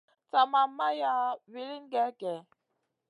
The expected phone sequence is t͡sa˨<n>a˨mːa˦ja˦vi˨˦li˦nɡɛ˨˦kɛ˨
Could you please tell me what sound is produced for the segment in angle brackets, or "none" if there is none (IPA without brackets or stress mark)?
m